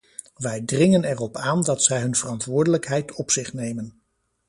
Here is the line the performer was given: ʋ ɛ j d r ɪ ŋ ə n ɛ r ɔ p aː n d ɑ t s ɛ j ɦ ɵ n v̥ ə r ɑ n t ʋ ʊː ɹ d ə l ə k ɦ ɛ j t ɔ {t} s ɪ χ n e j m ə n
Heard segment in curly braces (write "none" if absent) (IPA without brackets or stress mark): p